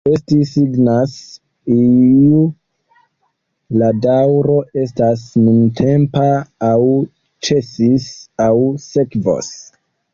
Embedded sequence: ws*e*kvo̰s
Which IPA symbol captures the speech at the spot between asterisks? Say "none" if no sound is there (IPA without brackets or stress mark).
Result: e